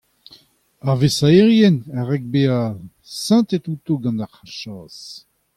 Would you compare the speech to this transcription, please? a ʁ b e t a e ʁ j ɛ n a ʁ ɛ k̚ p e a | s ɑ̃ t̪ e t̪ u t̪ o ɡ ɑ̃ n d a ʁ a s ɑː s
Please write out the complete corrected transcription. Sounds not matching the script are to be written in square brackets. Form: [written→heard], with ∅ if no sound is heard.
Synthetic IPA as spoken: a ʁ [b→v] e [t→s] a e ʁ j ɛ n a ʁ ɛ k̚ [p→b] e a | s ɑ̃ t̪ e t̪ u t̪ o ɡ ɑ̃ n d a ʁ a [s→ʃ] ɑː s